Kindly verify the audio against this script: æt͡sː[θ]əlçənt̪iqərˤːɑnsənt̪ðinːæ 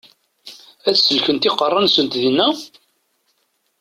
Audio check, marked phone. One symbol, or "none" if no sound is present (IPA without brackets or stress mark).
s